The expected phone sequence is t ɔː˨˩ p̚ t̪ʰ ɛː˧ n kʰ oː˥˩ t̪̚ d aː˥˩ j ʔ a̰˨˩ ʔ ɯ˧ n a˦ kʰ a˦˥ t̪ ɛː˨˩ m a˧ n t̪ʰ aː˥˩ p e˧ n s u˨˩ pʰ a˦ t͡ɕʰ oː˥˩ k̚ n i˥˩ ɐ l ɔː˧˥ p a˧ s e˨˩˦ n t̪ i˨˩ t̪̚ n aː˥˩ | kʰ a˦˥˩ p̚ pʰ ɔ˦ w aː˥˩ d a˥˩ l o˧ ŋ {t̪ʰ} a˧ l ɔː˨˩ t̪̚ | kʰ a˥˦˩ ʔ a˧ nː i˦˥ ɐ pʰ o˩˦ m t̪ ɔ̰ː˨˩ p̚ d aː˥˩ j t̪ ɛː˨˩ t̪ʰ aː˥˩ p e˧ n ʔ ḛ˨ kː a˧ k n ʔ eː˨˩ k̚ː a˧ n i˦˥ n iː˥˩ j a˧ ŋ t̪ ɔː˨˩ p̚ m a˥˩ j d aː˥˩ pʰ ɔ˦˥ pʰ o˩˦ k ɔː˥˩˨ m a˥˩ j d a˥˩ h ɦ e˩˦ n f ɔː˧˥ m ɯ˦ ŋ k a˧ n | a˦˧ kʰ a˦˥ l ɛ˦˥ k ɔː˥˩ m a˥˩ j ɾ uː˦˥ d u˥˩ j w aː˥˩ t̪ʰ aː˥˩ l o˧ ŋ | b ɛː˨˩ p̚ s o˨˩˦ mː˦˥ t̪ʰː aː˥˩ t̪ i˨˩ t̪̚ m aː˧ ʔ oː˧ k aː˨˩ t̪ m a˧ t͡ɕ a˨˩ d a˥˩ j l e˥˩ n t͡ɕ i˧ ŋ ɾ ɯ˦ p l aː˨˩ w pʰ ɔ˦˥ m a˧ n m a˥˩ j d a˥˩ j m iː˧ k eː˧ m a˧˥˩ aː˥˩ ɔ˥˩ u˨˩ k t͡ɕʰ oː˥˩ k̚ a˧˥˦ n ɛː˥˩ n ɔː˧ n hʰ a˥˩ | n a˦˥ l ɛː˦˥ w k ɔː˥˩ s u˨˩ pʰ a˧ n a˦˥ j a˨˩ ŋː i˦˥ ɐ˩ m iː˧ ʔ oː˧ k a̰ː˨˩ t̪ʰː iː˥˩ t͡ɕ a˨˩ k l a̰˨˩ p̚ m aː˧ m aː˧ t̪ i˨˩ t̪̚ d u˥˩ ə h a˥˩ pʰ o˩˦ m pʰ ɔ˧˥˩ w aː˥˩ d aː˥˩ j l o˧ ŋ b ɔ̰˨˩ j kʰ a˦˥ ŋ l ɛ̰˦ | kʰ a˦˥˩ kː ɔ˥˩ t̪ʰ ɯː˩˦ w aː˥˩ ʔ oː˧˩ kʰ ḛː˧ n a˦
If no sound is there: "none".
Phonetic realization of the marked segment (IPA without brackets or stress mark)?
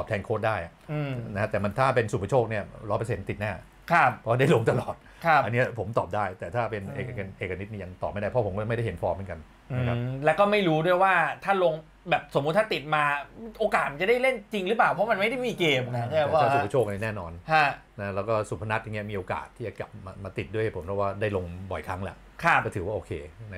t̪